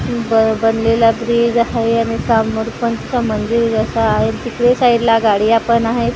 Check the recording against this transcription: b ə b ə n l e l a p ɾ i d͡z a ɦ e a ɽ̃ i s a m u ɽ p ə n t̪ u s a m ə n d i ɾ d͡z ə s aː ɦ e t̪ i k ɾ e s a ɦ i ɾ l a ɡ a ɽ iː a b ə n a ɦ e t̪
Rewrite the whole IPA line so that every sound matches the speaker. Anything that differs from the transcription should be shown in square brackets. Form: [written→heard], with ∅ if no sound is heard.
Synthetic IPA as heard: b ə b ə n l e l a [p→b] ɾ i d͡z a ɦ e a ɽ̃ i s a m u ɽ p ə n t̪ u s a m ə n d i ɾ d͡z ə s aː ɦ e t̪ i k [ɾ→ɽ] e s a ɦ i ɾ l a ɡ a ɽ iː a [b→p] ə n a ɦ e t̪